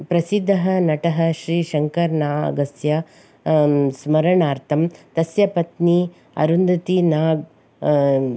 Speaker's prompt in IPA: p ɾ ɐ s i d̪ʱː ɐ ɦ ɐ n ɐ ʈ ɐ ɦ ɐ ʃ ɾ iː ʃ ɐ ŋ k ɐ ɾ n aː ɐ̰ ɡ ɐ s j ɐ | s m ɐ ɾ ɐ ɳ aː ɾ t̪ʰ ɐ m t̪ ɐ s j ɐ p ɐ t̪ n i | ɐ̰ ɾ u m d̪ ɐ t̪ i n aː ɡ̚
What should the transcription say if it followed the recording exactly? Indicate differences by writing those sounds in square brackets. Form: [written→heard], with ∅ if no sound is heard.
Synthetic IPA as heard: p ɾ ɐ s i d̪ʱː ɐ ɦ ɐ n ɐ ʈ ɐ ɦ ɐ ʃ ɾ iː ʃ ɐ ŋ k ɐ ɾ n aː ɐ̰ ɡ ɐ s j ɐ | s m ɐ ɾ ɐ ɳ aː ɾ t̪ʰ ɐ m t̪ ɐ s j ɐ p ɐ t̪ n i | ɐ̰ ɾ u [m→n] d̪ ɐ t̪ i n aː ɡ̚